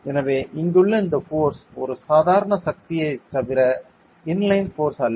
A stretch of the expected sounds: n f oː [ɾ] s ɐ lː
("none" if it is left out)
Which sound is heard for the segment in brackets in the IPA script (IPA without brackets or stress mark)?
ɾ